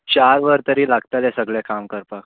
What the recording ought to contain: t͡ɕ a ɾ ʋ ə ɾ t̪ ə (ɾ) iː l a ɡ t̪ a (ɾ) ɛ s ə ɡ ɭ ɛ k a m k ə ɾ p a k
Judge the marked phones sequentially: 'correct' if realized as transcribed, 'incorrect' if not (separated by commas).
correct, incorrect